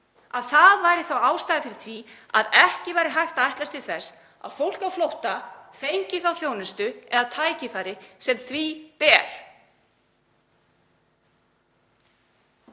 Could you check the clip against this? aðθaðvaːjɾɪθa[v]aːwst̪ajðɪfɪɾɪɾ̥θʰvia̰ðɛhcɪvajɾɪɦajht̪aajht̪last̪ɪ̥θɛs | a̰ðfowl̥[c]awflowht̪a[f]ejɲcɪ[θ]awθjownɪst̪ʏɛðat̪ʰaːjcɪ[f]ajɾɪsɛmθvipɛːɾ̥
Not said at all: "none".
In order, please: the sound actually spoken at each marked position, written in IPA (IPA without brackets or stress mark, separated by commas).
w, k, f, θ, θ